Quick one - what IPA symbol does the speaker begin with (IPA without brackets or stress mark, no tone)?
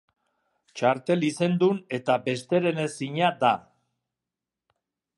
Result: t͡ʃ